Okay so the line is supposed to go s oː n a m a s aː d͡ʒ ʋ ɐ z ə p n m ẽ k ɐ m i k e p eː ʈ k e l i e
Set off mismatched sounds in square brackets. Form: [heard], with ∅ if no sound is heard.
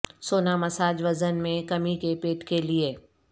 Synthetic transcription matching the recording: s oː n a m [ɐ] s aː d͡ʒ ʋ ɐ z ə [∅] n m ẽ k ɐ m i k e p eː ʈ k e l i e